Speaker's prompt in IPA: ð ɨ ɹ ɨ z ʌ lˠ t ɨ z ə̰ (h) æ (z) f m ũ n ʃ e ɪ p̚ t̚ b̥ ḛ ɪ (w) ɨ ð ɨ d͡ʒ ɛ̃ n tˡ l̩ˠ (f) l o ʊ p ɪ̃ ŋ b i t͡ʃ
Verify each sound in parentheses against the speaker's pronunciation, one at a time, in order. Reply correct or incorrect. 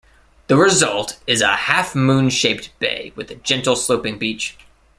correct, incorrect: none, correct, incorrect: s

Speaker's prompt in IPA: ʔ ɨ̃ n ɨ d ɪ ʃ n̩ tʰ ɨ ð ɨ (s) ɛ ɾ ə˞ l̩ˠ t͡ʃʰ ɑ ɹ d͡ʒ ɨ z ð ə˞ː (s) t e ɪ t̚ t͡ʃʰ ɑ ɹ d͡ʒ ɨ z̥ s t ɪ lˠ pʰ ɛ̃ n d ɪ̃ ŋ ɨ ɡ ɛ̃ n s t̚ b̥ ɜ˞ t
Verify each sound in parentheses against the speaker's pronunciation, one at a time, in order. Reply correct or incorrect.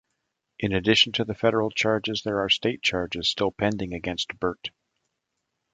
incorrect: f, correct

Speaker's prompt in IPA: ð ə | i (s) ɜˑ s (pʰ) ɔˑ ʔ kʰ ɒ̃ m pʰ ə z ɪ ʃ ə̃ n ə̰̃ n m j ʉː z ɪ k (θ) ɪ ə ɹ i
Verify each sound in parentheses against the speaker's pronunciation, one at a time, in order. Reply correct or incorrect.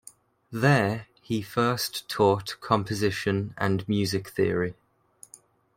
incorrect: f, incorrect: tʰ, correct

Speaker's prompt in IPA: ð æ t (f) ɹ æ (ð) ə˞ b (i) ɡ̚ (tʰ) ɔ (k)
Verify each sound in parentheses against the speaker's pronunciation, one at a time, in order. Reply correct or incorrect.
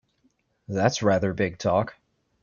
incorrect: s, correct, incorrect: ɪ, correct, correct

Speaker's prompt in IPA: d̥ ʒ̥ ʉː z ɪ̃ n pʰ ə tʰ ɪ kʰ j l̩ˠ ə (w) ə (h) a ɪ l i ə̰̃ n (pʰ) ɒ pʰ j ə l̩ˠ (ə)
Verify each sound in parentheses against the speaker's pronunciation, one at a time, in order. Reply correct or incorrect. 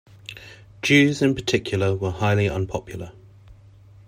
correct, correct, correct, correct

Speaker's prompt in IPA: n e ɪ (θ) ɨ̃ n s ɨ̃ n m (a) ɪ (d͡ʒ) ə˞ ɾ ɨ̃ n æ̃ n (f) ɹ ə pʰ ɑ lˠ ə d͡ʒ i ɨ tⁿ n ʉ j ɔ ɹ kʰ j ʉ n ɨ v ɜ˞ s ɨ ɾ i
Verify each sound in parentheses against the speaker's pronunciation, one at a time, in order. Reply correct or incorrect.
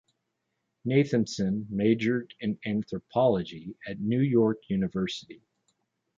correct, incorrect: e, correct, incorrect: θ

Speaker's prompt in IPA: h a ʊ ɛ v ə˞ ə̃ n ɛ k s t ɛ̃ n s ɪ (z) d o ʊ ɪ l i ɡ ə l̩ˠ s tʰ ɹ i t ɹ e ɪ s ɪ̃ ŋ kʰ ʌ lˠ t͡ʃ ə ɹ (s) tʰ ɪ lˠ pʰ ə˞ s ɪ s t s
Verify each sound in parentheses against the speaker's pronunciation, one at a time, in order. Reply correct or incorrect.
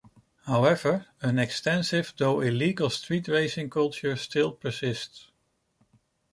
incorrect: v, correct

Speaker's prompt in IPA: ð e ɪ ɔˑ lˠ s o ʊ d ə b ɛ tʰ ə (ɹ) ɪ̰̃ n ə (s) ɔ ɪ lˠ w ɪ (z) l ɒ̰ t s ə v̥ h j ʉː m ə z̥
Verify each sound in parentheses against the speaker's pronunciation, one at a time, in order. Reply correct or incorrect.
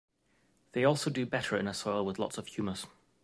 correct, correct, incorrect: ð

